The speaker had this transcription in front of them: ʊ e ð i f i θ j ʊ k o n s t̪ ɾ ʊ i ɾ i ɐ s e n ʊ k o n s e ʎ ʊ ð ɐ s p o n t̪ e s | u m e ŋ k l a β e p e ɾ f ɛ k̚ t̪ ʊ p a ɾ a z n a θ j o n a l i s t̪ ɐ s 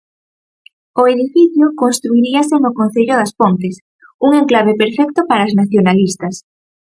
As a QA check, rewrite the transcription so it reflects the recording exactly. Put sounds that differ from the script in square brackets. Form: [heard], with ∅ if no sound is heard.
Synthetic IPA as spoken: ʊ e ð i f i θ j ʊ k o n s t̪ ɾ [u] i ɾ i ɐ s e n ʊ k o n [θ] e ʎ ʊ ð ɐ s p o n t̪ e s | u [ŋ] e ŋ k l a β e p e ɾ f ɛ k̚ t̪ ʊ p a ɾ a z n a θ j o n a l i s t̪ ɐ s